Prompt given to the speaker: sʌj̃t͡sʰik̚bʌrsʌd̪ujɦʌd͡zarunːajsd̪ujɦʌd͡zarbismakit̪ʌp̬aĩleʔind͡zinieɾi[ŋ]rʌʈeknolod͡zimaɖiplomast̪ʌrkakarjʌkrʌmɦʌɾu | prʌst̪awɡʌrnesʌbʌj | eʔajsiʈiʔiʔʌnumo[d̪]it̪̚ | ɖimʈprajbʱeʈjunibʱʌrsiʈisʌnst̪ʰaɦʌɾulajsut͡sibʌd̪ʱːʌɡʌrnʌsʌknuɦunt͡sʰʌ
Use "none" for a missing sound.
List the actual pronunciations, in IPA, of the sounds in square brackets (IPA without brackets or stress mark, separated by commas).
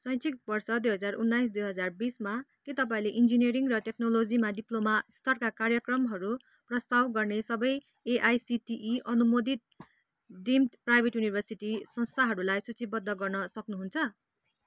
ŋ, d̪